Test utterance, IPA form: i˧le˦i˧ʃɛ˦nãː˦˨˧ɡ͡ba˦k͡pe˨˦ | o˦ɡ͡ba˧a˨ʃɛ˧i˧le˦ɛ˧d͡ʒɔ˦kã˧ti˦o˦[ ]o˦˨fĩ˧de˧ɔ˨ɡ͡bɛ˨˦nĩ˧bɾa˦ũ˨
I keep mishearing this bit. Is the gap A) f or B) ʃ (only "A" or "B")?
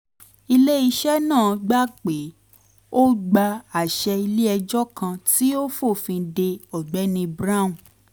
A